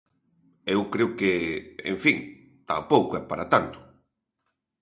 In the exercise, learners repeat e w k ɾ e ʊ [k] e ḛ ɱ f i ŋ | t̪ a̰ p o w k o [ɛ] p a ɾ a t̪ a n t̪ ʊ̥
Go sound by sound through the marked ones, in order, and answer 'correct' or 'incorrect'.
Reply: correct, correct

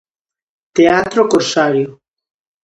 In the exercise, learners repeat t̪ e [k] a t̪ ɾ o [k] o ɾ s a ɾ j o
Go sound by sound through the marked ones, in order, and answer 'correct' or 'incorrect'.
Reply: incorrect: none, correct

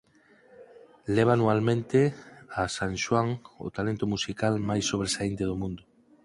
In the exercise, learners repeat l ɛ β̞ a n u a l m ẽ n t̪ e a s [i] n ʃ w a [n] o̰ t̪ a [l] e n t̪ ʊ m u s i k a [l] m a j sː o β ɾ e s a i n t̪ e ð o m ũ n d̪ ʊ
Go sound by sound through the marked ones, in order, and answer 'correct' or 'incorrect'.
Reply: incorrect: a, incorrect: ŋ, correct, correct

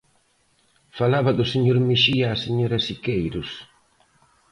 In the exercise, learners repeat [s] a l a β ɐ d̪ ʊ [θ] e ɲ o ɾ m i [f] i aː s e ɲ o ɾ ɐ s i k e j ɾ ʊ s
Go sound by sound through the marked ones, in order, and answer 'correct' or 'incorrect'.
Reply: incorrect: f, incorrect: s, incorrect: ʃ

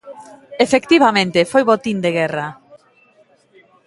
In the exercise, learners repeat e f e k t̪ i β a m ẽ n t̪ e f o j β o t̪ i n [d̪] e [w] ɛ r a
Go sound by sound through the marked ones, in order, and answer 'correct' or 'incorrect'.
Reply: correct, incorrect: ɣ

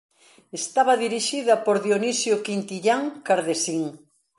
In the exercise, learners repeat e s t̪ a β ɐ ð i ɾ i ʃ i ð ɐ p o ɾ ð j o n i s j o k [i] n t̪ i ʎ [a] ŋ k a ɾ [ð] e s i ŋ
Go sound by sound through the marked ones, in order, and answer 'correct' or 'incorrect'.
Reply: correct, correct, correct

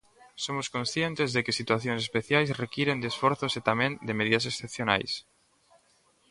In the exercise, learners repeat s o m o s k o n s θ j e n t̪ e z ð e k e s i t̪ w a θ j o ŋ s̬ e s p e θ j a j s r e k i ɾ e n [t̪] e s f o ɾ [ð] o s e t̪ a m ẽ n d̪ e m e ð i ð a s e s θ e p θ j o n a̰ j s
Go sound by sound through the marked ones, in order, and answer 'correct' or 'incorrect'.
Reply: incorrect: d̪, incorrect: θ

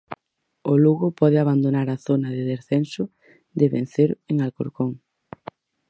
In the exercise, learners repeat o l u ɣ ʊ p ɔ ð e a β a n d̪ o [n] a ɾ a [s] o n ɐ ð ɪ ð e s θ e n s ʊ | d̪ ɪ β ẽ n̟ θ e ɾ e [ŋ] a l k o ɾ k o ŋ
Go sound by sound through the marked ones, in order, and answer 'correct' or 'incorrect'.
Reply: correct, incorrect: θ, correct

